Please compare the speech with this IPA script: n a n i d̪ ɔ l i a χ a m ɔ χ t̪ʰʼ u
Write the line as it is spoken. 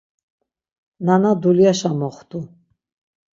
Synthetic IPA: n a n a d̪ u l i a ʃ a m ɔ χ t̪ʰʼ u